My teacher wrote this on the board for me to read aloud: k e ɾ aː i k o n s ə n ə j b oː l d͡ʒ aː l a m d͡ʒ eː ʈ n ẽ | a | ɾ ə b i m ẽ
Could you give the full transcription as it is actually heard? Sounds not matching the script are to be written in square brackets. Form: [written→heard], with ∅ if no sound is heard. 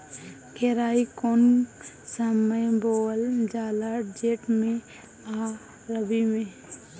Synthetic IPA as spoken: k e ɾ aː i k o n s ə [n→m] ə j b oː l d͡ʒ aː l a [m→∅] d͡ʒ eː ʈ [n→m] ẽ | a | ɾ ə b i m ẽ